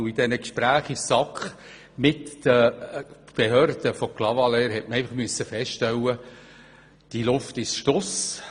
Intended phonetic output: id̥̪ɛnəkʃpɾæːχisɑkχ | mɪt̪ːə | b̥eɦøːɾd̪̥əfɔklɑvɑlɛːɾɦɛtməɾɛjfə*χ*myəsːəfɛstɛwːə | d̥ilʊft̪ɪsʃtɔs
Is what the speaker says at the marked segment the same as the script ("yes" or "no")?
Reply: yes